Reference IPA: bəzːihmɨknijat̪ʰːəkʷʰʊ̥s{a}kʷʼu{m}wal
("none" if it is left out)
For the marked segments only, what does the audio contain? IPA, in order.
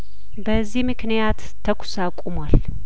a, m

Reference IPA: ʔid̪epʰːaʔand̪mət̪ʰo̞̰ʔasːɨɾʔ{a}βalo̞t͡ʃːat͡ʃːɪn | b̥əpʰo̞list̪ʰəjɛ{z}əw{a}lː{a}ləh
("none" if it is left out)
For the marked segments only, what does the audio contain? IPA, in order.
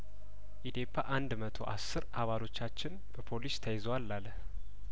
a, z, a, a

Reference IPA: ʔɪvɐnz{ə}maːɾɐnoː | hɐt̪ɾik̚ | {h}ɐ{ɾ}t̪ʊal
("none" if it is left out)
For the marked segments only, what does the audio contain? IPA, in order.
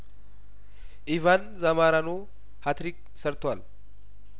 ɐ, s, ɾ

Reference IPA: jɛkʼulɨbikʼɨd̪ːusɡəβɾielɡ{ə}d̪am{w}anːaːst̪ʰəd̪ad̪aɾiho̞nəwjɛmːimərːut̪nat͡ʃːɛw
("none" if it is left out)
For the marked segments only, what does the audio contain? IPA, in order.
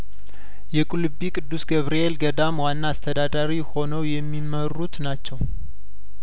ə, w

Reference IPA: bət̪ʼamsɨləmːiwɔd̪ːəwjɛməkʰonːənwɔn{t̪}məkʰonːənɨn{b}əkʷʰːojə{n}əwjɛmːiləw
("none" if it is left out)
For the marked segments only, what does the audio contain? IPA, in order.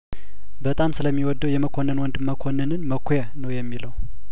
d̪, m, n

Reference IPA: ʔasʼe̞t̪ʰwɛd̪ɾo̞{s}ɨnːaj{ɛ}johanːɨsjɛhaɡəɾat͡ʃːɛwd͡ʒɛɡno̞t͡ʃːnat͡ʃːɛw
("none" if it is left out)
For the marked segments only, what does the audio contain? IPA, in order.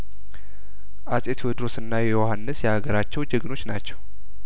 s, ɛ

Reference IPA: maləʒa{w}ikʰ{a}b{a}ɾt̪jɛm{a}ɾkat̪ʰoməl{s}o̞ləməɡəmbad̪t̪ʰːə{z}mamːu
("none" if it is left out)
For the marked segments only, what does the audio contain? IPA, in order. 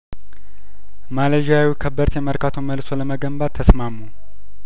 w, ə, ə, ə, s, s

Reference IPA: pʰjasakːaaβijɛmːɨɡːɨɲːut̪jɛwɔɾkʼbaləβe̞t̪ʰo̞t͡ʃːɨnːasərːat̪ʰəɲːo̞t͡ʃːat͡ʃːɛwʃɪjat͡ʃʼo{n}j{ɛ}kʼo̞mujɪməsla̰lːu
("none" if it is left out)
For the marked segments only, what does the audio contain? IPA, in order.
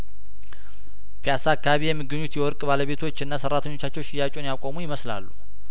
n, a

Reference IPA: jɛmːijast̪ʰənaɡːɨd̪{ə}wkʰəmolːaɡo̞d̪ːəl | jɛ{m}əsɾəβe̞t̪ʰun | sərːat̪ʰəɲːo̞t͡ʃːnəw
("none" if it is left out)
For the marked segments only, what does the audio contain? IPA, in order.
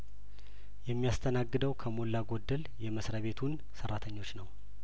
ə, m

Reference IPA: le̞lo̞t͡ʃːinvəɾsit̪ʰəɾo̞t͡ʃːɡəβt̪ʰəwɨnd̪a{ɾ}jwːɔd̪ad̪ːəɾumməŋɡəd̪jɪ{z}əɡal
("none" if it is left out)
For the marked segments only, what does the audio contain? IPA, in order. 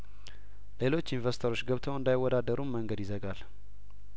none, z

